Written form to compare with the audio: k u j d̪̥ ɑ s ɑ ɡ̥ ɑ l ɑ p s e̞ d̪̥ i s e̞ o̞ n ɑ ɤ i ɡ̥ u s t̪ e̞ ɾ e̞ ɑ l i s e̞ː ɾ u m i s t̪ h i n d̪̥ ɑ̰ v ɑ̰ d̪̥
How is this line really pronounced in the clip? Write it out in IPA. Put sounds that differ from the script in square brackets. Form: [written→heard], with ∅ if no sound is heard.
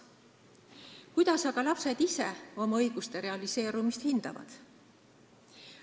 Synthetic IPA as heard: k u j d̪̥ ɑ s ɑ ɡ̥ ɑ l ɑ p s e̞ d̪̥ i s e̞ o̞ [n→m] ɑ ɤ [i→j] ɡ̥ u s t̪ e̞ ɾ e̞ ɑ l i s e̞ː ɾ u m i s t̪ h i n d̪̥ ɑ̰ v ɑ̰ d̪̥